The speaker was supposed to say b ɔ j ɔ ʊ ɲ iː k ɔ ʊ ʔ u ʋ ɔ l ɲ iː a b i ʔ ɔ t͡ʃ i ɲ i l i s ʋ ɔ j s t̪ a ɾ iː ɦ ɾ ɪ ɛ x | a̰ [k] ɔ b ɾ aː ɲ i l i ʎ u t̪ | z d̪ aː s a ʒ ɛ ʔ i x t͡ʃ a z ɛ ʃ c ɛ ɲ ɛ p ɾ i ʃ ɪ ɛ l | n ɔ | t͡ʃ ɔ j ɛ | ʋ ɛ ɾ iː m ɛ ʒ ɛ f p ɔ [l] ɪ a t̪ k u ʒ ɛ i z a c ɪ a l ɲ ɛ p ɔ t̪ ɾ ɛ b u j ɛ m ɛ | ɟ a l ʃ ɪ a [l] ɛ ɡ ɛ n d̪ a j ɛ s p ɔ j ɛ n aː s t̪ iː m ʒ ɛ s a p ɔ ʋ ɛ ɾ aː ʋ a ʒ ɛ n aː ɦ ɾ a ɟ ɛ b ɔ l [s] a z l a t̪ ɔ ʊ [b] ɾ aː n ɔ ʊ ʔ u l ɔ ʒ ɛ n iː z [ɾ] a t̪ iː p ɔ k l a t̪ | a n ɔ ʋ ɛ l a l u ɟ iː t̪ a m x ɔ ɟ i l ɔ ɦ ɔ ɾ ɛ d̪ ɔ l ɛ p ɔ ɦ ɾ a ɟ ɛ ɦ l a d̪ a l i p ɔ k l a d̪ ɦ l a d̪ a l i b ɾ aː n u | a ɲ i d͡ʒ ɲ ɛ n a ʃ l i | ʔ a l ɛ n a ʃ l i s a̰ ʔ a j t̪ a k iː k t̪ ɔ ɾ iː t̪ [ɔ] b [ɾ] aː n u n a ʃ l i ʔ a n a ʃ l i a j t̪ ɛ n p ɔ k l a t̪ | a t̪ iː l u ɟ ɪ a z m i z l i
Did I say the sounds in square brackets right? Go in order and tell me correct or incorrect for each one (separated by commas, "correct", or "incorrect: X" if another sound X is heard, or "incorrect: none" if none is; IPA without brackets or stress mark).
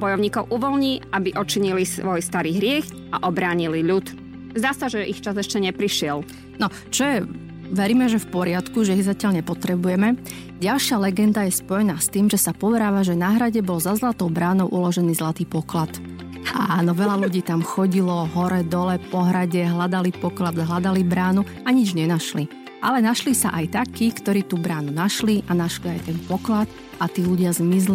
incorrect: ʔ, incorrect: ɾ, correct, incorrect: z, correct, incorrect: l, incorrect: u, correct